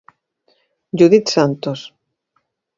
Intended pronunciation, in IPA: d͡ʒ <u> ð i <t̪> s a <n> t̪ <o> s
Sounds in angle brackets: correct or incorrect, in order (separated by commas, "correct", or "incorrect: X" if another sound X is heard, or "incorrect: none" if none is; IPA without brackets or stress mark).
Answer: correct, correct, correct, correct